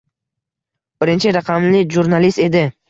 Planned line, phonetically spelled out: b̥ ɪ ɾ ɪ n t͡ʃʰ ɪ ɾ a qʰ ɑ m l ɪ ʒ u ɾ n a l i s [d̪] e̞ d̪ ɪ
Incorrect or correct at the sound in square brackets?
incorrect: t̪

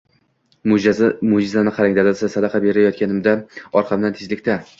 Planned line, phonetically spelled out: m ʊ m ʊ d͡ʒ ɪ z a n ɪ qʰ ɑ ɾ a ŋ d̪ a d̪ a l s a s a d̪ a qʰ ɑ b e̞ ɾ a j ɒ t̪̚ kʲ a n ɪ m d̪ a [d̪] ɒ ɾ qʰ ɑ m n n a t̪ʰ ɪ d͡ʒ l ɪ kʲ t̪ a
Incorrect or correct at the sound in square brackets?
incorrect: none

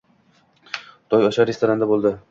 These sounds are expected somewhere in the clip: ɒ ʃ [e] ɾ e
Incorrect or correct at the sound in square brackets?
incorrect: a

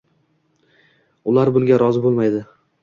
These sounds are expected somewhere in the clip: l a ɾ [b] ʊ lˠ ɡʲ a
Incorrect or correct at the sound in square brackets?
correct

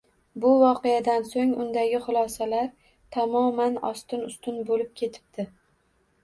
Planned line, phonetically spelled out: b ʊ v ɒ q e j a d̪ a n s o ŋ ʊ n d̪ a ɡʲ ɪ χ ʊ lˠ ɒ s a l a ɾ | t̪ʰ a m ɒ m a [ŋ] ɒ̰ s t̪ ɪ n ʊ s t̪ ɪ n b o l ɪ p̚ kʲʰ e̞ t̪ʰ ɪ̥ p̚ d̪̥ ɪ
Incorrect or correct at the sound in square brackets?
incorrect: n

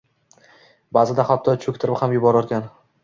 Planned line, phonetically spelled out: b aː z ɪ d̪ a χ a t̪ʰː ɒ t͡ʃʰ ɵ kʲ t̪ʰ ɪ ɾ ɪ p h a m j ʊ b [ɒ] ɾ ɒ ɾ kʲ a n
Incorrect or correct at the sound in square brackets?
correct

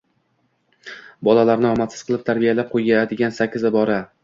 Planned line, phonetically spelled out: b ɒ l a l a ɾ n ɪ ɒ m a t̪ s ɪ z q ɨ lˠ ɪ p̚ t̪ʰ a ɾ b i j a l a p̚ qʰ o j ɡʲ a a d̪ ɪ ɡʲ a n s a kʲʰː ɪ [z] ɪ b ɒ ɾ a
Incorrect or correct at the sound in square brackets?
correct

